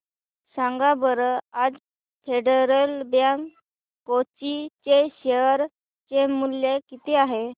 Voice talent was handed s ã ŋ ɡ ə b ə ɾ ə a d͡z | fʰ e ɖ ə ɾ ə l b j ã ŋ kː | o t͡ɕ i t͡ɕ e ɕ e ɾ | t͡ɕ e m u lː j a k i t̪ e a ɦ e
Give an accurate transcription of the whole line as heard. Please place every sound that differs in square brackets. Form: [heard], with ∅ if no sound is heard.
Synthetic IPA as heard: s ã ŋ ɡ [a] b ə ɾ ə a d͡z | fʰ e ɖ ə ɾ ə l b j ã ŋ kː | o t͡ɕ i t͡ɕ e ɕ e ɾ | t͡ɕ e m u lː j [e] k i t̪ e a ɦ e